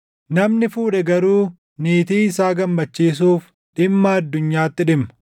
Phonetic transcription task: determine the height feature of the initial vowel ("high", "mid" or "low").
low